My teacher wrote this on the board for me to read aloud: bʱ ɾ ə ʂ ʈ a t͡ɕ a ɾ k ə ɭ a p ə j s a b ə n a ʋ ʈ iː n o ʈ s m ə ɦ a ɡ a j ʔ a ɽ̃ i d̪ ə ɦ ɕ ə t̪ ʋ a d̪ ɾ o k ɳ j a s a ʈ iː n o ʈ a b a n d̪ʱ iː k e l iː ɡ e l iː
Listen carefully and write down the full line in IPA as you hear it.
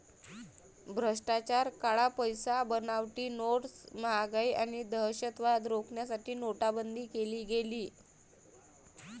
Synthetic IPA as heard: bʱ ɾ ə ʂ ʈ a t͡ɕ a ɾ k a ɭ a p ə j s a b ə n a ʋ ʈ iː n o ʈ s m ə ɦ a ɡ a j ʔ a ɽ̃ i d̪ ə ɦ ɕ ə t̪ ʋ a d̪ ɾ o k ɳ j a s a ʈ iː n o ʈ a b ə n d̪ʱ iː k e l iː ɡ e l iː